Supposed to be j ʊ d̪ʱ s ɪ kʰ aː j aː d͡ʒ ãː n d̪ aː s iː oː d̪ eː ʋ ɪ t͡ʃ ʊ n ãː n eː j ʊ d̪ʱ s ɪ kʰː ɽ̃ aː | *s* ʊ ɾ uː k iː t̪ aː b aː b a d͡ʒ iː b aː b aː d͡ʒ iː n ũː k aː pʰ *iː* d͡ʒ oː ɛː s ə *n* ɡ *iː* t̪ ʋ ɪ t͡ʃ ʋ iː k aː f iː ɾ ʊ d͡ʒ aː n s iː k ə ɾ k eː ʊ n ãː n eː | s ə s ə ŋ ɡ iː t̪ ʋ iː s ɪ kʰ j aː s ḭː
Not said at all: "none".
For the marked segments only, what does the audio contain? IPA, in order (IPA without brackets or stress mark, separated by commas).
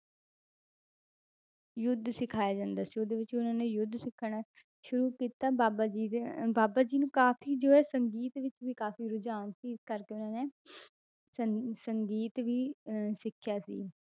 ʃ, iː, ŋ, iː